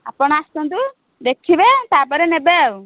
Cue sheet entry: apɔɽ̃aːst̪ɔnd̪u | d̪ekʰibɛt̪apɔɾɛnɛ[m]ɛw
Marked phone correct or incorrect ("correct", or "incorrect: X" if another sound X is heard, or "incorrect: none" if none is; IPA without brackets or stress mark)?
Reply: incorrect: b